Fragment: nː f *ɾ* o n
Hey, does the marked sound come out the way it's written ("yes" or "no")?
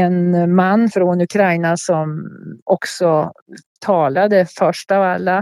yes